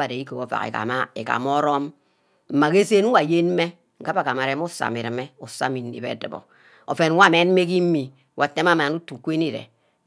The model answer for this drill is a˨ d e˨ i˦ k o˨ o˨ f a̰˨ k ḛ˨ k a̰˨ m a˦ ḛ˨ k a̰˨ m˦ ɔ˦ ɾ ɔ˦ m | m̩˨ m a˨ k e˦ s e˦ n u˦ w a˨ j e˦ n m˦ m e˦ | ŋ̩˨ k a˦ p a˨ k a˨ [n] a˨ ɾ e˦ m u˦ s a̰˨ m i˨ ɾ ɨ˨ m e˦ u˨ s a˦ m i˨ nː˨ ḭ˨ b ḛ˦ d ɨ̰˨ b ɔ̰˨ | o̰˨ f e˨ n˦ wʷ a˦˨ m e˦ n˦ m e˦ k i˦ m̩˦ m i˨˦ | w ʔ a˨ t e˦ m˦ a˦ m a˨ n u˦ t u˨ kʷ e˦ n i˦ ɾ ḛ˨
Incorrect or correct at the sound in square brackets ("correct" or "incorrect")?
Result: incorrect